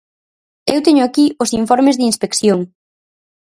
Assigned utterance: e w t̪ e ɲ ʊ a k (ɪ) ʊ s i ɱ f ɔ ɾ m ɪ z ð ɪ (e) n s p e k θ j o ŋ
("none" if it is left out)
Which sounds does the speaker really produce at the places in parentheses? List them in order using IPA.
i, i

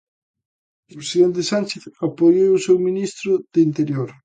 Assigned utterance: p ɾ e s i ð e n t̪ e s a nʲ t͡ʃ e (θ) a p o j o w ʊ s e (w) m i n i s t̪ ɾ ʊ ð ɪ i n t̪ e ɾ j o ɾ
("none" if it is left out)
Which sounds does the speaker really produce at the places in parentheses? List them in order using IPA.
θ, w

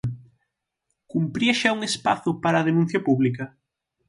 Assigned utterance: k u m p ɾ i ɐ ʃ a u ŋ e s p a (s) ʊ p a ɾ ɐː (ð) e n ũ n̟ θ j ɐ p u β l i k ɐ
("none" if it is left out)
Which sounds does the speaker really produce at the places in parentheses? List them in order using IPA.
θ, ð

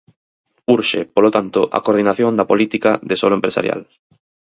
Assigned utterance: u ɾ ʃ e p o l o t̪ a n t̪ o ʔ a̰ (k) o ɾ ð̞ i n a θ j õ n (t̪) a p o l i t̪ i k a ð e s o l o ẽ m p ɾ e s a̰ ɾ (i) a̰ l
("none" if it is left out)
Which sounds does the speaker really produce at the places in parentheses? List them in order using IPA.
k, d̪, j

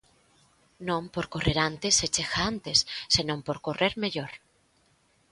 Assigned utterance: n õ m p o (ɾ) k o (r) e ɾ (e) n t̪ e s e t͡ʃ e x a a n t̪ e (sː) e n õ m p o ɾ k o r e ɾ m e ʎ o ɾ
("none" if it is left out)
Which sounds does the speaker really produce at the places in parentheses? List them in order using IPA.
ɾ, r, a, sː

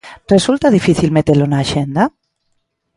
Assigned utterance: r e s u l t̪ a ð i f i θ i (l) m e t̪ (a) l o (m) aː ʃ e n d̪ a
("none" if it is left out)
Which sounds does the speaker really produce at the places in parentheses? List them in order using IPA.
l, e, n

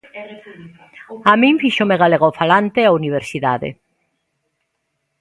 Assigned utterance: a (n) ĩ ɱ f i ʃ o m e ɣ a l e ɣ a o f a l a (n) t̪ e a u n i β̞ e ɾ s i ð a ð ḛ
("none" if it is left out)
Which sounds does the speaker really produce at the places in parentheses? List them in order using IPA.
m, n

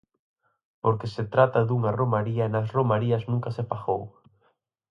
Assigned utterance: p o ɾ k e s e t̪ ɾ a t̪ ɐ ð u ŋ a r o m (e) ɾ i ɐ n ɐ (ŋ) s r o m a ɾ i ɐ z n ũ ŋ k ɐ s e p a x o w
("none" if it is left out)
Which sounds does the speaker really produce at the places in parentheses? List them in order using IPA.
a, none

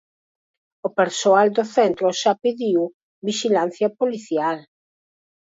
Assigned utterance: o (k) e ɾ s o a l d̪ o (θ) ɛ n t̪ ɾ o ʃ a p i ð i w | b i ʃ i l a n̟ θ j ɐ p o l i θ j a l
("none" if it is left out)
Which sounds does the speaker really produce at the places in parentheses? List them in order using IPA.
p, θ

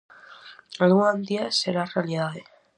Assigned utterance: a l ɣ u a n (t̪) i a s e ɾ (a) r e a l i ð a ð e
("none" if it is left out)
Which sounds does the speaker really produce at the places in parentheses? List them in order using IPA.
d̪, a

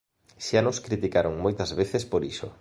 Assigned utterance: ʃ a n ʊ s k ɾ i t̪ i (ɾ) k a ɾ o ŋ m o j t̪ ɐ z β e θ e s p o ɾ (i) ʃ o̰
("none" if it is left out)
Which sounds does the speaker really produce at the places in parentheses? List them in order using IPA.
none, i

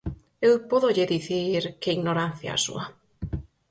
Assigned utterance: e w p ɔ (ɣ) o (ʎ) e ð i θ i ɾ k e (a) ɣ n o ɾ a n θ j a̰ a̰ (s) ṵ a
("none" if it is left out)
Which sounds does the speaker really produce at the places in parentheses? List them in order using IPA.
ð, ʎ, i, s

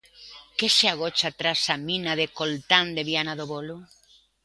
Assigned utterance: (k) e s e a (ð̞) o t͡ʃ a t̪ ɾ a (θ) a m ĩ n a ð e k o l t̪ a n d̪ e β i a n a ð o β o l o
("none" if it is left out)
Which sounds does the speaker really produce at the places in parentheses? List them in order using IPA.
k, ɣ̞, s

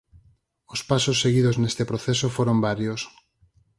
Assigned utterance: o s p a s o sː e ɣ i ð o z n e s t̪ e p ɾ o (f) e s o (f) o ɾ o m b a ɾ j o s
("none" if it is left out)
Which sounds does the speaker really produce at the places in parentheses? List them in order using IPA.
θ, f

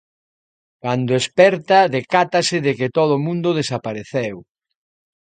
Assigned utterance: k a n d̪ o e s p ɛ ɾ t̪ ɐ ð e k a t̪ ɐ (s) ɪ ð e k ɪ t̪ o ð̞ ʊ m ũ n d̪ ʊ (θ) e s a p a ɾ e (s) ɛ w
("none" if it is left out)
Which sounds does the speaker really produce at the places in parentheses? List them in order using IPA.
s, ð, θ

